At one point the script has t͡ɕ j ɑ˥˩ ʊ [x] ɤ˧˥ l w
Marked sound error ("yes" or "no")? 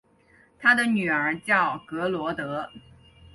yes